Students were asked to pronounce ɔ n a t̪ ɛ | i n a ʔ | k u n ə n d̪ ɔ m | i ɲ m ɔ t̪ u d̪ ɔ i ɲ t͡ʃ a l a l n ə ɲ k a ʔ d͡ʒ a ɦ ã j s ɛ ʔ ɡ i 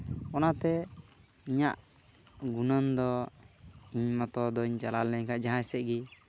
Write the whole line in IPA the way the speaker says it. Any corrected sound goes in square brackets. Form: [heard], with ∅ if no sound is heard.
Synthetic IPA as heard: ɔ n a t̪ ɛ | i [ɲ] a ʔ | [ɡ] u n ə n d̪ ɔ [∅] | i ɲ m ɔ t̪ [ɔ] d̪ ɔ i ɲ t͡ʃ a l a l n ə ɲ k a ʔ d͡ʒ a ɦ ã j s ɛ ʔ ɡ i